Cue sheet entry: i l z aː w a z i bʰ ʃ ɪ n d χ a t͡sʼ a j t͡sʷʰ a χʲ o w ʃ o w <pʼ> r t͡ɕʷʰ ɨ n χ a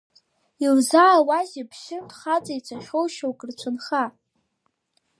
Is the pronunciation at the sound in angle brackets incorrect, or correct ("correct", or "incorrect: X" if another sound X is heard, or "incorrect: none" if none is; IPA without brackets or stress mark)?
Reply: incorrect: kʼ